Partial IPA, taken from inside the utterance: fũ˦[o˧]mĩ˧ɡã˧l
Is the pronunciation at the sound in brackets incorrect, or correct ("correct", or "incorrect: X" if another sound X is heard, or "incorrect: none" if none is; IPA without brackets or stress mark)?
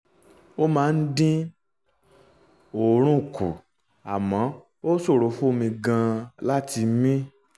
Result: correct